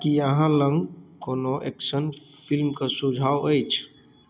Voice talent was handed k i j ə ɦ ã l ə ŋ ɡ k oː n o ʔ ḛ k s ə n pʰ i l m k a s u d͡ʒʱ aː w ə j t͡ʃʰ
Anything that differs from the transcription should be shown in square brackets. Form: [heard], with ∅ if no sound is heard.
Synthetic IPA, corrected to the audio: k i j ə ɦ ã l ə ŋ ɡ k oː n o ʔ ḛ k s ə n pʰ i l m k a s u d͡ʒʱ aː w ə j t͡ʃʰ